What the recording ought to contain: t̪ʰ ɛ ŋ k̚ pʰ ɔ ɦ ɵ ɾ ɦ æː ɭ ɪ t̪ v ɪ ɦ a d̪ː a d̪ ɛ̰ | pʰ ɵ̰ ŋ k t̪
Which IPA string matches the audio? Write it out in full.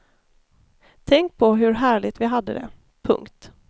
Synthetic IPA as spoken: t̪ʰ ɛ ŋ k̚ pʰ ɔ ɦ ɵ ɾ ɦ æː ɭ ɪ t̪ v ɪ ɦ a d̪ː ə d̪ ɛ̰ | pʰ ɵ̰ ŋ k t̪